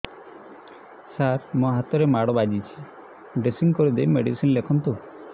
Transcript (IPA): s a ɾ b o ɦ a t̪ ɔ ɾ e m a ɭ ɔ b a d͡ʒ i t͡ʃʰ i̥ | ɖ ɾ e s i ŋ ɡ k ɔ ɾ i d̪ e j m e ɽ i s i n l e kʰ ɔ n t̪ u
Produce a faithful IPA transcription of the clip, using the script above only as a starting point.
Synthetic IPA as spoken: s a ɾ m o ɦ a t̪ ɔ ɾ e m a ɽ ɔ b a d͡ʒ i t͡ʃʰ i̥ | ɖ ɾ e s i ŋ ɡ k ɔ ɾ i d̪ e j m e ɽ i s i n l e kʰ ɔ n t̪ u